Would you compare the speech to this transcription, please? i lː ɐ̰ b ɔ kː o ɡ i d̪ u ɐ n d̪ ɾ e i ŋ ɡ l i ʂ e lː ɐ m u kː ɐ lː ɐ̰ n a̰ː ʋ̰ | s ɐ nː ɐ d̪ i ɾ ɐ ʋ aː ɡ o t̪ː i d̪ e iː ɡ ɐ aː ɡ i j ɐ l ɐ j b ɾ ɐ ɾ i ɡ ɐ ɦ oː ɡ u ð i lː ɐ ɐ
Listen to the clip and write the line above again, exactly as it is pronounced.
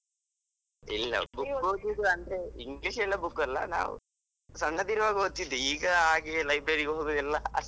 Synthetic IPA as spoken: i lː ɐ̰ b u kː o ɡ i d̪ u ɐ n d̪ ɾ e i ŋ ɡ l i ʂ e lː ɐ b u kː ɐ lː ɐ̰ n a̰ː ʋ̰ | s ɐ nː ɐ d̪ i ɾ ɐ ʋ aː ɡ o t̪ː i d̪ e iː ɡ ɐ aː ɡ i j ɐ l ɐ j b ɾ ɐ ɾ i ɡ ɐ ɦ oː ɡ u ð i lː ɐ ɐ